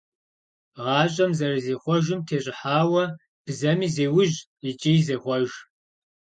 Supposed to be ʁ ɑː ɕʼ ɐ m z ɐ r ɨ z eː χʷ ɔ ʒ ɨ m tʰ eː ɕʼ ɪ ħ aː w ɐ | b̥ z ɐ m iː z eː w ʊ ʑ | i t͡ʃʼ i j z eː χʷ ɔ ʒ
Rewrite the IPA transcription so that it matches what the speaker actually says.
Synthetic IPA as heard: ʁ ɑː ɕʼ ɐ m z ɐ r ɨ z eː χʷ ɔ ʒ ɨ m tʰ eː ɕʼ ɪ ħ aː w ɐ | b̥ z ɐ m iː z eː w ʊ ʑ | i t͡ʃʼ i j z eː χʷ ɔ ʒ